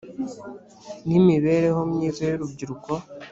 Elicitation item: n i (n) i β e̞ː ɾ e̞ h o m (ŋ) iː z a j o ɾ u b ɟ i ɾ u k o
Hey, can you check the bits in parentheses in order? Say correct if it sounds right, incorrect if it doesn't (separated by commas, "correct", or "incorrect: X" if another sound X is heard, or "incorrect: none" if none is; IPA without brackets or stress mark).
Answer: incorrect: m, incorrect: ɲ